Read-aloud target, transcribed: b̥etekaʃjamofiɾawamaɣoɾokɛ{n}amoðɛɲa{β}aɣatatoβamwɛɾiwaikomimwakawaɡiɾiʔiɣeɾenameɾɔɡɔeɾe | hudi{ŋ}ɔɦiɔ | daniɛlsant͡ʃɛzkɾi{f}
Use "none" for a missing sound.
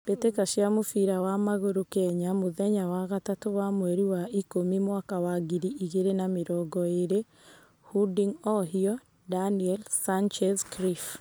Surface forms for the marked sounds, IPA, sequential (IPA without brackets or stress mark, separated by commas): ɲ, w, ŋ, f